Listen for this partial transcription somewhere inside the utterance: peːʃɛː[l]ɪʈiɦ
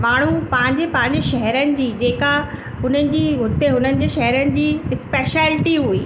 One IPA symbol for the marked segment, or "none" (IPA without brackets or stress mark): l